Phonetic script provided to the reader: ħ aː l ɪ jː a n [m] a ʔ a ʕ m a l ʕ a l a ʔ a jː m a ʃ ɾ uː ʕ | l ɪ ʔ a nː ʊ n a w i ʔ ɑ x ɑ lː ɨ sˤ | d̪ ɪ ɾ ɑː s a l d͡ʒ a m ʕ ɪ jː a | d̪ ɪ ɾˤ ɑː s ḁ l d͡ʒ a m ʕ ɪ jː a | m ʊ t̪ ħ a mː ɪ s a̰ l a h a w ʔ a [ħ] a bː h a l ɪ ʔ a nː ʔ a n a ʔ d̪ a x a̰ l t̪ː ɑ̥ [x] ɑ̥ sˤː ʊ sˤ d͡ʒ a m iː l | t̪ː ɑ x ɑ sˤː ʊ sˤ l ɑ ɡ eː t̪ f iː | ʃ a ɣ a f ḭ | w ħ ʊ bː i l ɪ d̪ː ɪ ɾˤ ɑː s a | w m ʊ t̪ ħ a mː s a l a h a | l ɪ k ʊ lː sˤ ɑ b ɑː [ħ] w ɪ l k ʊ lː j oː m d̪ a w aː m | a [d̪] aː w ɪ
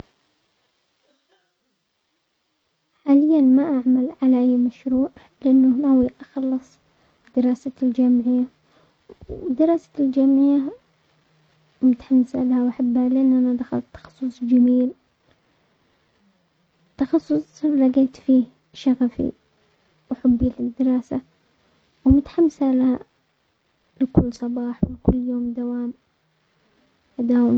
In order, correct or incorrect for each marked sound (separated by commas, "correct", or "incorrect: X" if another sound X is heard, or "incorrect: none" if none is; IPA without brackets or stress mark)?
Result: correct, correct, correct, correct, correct